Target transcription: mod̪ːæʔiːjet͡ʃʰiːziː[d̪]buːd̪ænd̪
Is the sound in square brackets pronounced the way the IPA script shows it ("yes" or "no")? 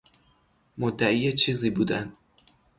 no